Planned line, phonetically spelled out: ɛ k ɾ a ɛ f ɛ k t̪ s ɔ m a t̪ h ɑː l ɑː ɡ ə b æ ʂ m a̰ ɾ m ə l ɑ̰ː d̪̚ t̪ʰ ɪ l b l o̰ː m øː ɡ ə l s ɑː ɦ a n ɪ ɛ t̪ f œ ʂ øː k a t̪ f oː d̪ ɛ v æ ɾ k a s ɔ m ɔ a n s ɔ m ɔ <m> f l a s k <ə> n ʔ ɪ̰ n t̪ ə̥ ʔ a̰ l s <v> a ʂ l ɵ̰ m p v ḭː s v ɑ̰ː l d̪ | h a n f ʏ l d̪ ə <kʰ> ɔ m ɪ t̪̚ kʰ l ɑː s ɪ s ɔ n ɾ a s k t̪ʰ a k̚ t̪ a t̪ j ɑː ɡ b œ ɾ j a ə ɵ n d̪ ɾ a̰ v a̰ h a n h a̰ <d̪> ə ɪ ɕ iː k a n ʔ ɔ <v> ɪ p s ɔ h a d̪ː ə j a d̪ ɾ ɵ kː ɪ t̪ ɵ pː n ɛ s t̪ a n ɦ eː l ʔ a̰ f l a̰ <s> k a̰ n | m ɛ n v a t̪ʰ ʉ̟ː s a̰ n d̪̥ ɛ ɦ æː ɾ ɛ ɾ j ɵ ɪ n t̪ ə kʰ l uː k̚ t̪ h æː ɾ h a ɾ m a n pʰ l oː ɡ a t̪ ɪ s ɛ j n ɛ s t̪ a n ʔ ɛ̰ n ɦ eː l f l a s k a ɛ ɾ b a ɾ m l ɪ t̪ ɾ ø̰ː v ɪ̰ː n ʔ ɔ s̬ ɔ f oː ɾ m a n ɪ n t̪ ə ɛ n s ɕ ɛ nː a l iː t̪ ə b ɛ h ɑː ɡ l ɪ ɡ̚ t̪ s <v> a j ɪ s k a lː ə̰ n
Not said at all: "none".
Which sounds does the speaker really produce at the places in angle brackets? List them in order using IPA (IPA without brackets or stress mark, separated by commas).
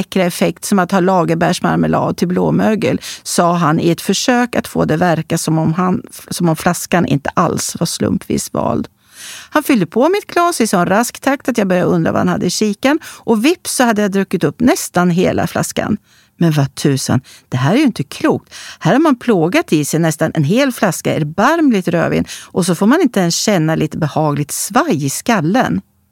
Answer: m, a, v, pʰ, d̪ː, v, s, v